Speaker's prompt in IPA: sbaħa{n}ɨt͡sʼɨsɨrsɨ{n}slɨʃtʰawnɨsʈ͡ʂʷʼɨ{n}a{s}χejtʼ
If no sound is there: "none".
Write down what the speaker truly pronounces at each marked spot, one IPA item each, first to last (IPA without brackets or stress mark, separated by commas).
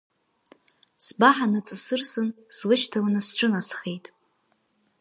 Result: n, n, n, s